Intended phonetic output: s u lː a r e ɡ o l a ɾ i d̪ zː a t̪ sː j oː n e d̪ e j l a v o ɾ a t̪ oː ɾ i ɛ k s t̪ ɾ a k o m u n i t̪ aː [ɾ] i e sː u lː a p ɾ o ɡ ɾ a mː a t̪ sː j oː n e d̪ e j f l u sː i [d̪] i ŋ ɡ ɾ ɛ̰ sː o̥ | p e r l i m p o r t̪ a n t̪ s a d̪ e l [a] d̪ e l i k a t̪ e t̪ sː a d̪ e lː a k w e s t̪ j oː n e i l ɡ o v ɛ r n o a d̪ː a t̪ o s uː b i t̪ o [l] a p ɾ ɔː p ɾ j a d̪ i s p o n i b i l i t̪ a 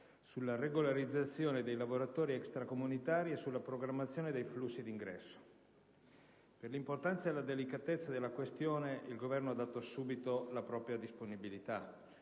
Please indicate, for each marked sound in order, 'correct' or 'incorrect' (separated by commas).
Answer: correct, correct, correct, correct